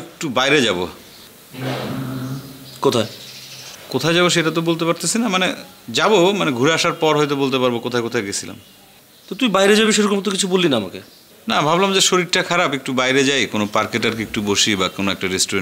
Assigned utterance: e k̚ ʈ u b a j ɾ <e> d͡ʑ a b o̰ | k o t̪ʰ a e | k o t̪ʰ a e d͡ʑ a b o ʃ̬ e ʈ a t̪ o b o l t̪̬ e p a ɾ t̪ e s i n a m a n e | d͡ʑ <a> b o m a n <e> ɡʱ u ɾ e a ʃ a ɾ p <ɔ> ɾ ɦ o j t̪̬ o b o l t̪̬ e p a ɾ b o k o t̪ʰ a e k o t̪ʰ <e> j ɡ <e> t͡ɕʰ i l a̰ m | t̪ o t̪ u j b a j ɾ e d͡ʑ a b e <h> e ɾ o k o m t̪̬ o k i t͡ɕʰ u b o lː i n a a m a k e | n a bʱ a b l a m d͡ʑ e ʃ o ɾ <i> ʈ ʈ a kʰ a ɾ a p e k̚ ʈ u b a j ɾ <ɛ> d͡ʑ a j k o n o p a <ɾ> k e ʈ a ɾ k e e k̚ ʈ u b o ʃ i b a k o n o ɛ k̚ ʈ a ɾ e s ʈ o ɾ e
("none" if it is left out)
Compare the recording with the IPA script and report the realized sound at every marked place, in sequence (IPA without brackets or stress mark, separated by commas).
e, a, e, ɔ, a, e, ʃ, i, e, ɾ